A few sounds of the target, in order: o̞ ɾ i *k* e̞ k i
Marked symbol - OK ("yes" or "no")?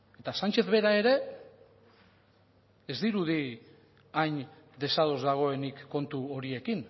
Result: no